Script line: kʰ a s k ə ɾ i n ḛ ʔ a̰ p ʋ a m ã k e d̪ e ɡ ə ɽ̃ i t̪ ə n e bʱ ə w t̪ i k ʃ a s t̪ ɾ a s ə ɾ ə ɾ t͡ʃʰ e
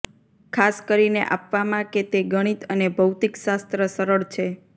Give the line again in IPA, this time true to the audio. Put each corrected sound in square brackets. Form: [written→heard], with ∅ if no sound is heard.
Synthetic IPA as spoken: kʰ a s k ə ɾ i n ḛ ʔ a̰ p ʋ a m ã k e [d̪→t̪] e ɡ ə ɽ̃ i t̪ ə n e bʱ ə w t̪ i k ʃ a s t̪ ɾ [a→ə] s ə ɾ ə [ɾ→ɭ] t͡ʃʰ e